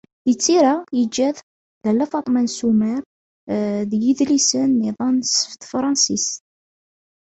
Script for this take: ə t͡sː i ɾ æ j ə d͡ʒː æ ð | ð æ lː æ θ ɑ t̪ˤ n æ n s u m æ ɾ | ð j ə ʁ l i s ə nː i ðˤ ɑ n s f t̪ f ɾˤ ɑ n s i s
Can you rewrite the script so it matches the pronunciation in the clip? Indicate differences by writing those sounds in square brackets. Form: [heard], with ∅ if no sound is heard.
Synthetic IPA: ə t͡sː i ɾ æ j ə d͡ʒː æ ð | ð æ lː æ [f] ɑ t̪ˤ [m] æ n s u m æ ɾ | ð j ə [ð] l i s ə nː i ðˤ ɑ n s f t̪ f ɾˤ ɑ n s i s